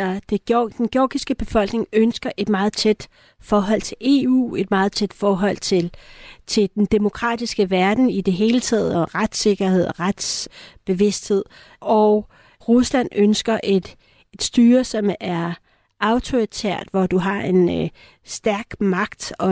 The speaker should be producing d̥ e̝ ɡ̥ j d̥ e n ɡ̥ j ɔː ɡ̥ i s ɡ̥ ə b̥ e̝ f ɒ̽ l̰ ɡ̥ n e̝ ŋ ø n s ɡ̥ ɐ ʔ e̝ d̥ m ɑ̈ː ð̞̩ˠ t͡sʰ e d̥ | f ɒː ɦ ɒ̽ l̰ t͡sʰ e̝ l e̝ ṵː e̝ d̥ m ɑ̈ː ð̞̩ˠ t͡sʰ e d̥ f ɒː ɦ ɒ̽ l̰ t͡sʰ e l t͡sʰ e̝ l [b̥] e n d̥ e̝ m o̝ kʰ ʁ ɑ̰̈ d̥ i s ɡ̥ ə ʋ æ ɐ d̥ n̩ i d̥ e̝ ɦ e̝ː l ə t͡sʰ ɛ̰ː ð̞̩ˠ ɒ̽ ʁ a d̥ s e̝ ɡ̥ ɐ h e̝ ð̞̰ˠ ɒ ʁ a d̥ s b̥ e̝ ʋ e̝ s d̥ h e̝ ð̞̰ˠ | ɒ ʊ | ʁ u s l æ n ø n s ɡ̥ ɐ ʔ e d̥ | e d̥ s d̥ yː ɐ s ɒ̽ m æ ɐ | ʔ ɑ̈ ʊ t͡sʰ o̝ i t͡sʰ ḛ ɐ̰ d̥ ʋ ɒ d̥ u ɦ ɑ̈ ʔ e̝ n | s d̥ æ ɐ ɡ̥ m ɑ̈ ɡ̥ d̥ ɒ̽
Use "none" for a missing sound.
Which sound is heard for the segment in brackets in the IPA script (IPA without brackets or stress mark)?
d̥